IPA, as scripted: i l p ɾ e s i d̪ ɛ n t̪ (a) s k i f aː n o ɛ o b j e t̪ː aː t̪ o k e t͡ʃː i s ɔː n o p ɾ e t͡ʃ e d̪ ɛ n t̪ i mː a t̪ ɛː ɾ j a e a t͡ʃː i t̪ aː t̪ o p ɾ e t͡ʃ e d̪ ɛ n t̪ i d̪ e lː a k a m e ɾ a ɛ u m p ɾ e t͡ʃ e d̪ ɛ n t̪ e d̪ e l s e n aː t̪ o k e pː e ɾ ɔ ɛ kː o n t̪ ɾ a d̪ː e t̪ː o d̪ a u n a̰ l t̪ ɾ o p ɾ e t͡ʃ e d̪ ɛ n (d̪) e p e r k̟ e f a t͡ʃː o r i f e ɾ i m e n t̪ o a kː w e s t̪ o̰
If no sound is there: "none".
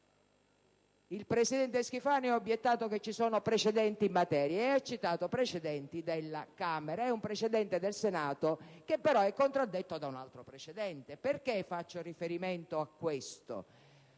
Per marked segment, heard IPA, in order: e, t̪

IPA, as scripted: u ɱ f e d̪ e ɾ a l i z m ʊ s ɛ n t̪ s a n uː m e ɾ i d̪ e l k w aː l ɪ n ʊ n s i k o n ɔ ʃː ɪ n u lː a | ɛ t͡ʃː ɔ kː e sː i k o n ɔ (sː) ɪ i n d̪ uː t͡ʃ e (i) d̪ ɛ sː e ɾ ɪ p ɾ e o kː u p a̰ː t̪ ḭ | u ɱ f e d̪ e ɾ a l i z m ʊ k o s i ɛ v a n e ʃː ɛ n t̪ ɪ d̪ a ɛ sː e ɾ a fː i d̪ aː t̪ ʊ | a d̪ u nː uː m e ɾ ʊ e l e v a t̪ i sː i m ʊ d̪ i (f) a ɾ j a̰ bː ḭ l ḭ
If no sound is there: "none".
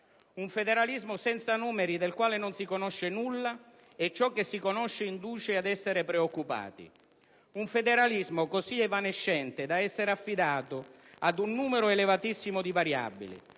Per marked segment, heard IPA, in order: ʃː, a, v

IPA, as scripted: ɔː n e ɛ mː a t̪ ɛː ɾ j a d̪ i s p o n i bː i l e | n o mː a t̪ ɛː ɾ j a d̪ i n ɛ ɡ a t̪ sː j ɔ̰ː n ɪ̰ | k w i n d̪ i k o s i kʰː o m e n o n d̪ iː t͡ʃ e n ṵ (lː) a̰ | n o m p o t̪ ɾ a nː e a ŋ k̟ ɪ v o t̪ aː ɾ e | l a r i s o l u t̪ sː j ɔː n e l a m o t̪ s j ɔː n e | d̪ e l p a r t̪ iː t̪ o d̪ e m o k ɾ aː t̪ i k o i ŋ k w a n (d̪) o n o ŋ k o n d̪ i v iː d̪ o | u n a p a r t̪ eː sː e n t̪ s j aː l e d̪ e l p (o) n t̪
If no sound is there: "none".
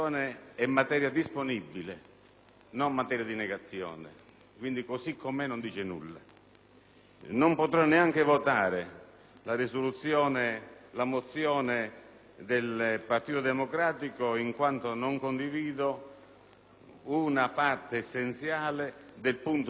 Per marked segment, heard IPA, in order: lː, t̪, u

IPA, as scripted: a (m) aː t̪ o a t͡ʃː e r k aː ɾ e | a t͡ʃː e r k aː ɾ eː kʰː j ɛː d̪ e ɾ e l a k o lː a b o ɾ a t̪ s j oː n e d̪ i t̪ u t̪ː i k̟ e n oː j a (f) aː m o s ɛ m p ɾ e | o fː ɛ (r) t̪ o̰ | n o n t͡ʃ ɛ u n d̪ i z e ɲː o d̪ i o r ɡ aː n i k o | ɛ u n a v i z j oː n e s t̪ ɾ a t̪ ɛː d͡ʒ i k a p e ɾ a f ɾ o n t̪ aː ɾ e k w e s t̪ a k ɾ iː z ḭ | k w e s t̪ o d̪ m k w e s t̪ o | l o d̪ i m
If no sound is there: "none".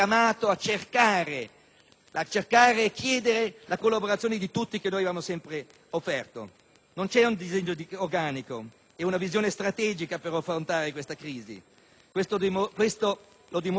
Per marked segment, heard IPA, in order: m, v, r

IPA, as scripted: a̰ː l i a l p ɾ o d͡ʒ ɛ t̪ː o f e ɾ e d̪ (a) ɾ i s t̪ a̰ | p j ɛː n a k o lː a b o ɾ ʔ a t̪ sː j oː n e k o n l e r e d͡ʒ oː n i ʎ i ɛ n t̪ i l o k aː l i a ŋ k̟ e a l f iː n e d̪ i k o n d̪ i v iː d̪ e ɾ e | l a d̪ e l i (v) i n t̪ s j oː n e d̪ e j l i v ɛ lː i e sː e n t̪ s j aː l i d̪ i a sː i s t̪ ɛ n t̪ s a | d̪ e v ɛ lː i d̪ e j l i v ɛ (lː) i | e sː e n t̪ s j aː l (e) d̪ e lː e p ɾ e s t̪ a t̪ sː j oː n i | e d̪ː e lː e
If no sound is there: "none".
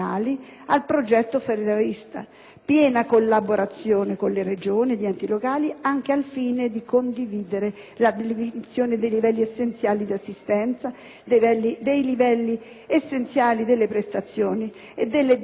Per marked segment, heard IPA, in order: a, v, lː, i

